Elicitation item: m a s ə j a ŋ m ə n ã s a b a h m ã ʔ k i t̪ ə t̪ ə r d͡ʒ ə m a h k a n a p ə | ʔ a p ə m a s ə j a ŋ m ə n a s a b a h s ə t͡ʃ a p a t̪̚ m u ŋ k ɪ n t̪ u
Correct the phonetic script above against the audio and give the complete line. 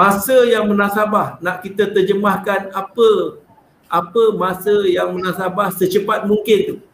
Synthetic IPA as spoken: m a s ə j a ŋ m ə n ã s a b a h n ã ʔ k i t̪ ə t̪ ə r d͡ʒ ə m a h k a n a p ə | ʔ a p ə m a s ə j a ŋ m ə n a s a b a h s ə t͡ʃ ə p a t̪̚ m u ŋ k ɪ n t̪ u